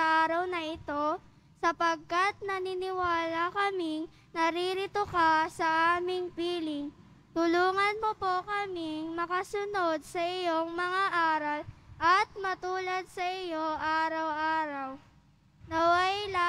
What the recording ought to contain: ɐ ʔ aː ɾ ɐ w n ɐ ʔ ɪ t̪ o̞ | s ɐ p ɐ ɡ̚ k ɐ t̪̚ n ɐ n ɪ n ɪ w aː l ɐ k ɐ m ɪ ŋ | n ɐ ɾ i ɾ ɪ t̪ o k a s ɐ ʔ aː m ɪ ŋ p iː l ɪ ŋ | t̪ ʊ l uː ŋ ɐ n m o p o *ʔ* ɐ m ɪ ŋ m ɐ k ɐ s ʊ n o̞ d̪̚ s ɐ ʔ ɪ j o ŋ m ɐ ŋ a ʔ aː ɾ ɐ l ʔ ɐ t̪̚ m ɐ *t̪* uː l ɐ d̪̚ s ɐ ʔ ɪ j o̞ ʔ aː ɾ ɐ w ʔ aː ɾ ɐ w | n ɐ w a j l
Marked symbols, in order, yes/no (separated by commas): no, yes